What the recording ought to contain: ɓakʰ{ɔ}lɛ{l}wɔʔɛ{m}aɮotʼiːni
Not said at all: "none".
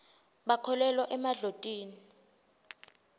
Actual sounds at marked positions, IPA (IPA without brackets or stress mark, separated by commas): ɔ, l, m